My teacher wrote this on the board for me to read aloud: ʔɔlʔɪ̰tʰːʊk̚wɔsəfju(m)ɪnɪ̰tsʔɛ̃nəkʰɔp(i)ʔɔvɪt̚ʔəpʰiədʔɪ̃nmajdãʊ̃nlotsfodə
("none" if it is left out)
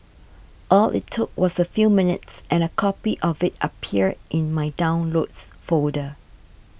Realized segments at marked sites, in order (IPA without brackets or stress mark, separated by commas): m, i